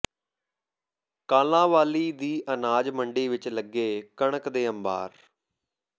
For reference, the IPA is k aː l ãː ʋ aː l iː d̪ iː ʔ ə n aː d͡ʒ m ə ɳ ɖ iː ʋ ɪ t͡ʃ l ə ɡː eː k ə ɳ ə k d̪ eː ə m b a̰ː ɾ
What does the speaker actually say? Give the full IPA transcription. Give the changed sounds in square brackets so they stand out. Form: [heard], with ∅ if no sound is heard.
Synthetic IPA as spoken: k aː l ãː ʋ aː l iː d̪ iː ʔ ə n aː d͡ʒ m ə ɳ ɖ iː ʋ ɪ t͡ʃ l ə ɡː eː k ə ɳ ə k d̪ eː ə m b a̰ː ɾ